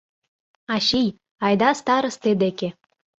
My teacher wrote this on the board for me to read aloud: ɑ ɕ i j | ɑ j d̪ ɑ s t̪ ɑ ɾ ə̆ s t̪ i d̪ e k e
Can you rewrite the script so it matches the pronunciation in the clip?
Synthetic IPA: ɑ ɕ i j | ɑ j d̪ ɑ s t̪ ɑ ɾ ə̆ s t̪ e d̪ e k e